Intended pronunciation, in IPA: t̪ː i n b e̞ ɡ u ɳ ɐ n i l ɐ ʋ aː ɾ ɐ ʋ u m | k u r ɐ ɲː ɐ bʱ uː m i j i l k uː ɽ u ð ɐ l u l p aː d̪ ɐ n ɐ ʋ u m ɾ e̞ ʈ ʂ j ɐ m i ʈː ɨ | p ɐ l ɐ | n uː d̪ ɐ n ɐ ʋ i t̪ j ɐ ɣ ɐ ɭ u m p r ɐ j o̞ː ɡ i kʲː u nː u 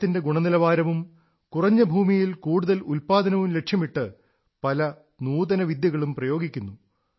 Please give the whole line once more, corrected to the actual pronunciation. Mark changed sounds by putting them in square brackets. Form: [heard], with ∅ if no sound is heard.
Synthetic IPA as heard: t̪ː i n [d] e̞ ɡ u ɳ ɐ n i l ɐ ʋ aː ɾ ɐ ʋ u m | k u r ɐ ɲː ɐ bʱ uː m i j i l k uː ɽ u ð ɐ l u l p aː d̪ ɐ n ɐ ʋ u m [l] e̞ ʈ ʂ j ɐ m i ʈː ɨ | p ɐ l ɐ | n uː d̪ ɐ n ɐ ʋ i [d̪] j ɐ ɣ ɐ ɭ u m p r ɐ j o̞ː ɡ i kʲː u nː u

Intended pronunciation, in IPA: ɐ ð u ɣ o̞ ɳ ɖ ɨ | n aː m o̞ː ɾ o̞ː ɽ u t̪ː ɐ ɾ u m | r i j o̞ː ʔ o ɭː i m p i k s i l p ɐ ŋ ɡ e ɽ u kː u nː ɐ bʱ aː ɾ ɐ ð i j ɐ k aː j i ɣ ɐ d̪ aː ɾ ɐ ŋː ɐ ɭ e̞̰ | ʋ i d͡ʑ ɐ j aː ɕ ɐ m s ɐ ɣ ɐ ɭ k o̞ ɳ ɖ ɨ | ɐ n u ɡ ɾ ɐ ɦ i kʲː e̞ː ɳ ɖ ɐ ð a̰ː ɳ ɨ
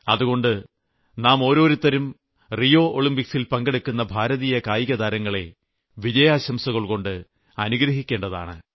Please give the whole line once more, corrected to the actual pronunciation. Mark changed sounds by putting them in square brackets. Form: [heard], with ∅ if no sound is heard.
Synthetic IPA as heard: ɐ ð u ɣ o̞ ɳ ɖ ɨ | n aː m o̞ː ɾ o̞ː [ɾ] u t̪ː ɐ ɾ u m | r i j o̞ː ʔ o [ɭ] i m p i k s i l p ɐ ŋ ɡ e ɽ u kː u nː ɐ bʱ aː ɾ ɐ ð i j ɐ k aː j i ɣ ɐ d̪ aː ɾ ɐ ŋː ɐ ɭ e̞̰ | ʋ i d͡ʑ ɐ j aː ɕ ɐ m s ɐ ɣ ɐ ɭ k o̞ ɳ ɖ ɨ | ɐ n u ɡ ɾ ɐ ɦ i kʲː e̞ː ɳ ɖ ɐ ð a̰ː ɳ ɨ

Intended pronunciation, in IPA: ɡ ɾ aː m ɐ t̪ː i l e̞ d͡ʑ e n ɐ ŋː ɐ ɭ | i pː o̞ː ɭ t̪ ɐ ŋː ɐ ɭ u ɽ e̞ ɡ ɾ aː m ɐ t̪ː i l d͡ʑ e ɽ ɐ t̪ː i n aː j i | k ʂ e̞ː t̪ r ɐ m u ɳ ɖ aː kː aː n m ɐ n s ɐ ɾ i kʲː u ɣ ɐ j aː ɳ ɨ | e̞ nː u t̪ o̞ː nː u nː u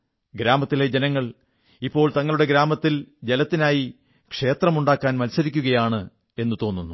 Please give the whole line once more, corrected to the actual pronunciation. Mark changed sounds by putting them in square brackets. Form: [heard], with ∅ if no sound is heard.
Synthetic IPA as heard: ɡ ɾ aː m ɐ t̪ː i l e̞ d͡ʑ e n ɐ ŋː ɐ ɭ | i pː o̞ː ɭ t̪ ɐ ŋː ɐ ɭ u ɽ e̞ ɡ ɾ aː m ɐ t̪ː i l d͡ʑ e [l] ɐ t̪ː i n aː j i | k ʂ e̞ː t̪ r ɐ m u ɳ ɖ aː kː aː n m ɐ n s ɐ ɾ i kʲː u ɣ ɐ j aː ɳ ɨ | e̞ nː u t̪ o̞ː nː u nː u

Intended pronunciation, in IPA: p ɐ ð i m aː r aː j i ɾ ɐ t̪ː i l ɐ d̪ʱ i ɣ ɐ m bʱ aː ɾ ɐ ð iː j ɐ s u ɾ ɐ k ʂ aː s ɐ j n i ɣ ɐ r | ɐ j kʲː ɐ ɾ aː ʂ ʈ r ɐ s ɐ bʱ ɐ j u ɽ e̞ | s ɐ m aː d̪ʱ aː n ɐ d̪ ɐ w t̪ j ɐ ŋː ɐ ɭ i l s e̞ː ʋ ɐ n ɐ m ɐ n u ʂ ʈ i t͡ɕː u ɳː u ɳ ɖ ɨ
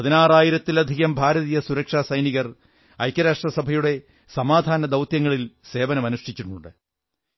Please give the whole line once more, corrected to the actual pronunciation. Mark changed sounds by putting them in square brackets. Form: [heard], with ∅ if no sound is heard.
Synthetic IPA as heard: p ɐ ð i [n] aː r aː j i ɾ ɐ t̪ː i l ɐ d̪ʱ i ɣ ɐ m bʱ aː ɾ ɐ ð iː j ɐ s u ɾ ɐ k ʂ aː s ɐ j n i ɣ ɐ r | ɐ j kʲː ɐ ɾ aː ʂ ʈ r ɐ s ɐ bʱ ɐ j u ɽ e̞ | s ɐ m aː d̪ʱ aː n ɐ d̪ ɐ w t̪ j ɐ ŋː ɐ ɭ i l s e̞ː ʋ ɐ n ɐ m ɐ n u ʂ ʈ i t͡ɕː u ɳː u ɳ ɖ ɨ

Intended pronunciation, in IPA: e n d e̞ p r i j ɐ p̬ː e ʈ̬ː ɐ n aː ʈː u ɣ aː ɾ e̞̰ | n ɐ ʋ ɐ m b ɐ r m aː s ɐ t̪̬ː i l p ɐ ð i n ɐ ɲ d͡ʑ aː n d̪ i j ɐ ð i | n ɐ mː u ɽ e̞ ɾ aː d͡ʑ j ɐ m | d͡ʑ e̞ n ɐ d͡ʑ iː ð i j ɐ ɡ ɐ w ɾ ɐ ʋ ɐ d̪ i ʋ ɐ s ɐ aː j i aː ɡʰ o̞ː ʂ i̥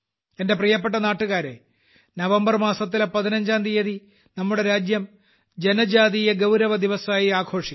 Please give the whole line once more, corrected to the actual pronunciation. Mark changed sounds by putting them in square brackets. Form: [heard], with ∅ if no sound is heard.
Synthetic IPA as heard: e n d e̞ p r i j ɐ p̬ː e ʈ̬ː ɐ n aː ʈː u ɣ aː ɾ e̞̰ | n ɐ ʋ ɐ m b ɐ r m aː s ɐ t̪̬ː i l p ɐ ð i n ɐ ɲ d͡ʑ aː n d̪ i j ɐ ð i | n ɐ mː u ɽ e̞ ɾ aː d͡ʑ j ɐ m | d͡ʑ e̞ n ɐ d͡ʑ [aː] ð i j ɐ ɡ ɐ w ɾ ɐ ʋ ɐ d̪ i ʋ ɐ s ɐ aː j i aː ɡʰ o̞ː ʂ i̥

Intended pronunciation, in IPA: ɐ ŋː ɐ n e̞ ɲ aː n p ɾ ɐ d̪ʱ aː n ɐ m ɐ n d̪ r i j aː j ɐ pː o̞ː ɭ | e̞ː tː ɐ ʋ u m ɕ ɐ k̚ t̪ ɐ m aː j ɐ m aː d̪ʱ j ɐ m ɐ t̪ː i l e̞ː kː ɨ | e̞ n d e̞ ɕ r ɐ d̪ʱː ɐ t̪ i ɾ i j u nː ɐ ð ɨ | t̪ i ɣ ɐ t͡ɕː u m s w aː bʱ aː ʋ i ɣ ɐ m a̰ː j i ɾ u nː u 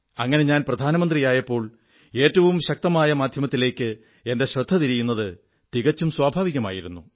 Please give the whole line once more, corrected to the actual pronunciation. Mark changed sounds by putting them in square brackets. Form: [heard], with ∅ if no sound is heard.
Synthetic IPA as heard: ɐ ŋː ɐ n e̞ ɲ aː n p [r] ɐ d̪ʱ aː n ɐ m ɐ n d̪ r i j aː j ɐ pː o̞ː ɭ | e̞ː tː ɐ ʋ u m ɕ ɐ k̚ t̪ ɐ m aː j ɐ m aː d̪ʱ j ɐ m ɐ t̪ː i l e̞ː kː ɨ | e̞ n d e̞ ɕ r ɐ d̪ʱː ɐ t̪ i ɾ i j u nː ɐ ð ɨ | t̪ i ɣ ɐ t͡ɕː u m s w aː bʱ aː ʋ i ɣ ɐ m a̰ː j i ɾ u nː u

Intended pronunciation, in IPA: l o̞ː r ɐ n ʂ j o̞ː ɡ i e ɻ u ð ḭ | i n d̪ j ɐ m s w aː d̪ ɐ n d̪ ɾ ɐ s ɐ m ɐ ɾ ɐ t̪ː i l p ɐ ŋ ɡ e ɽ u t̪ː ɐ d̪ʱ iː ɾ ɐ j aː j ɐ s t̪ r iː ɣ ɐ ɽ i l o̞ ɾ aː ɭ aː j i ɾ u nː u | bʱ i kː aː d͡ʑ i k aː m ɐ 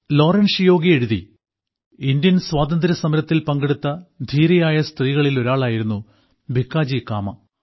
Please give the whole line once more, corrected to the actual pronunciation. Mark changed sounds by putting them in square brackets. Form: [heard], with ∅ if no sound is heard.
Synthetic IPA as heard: l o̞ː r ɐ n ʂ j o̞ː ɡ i e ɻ u ð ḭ | i n d̪ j ɐ [n] s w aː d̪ ɐ n d̪ ɾ ɐ s ɐ m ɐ ɾ ɐ t̪ː i l p ɐ ŋ ɡ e ɽ u t̪ː ɐ d̪ʱ iː ɾ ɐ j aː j ɐ s t̪ r iː ɣ ɐ [ɭ] i l o̞ ɾ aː ɭ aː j i ɾ u nː u | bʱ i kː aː d͡ʑ i k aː m ɐ

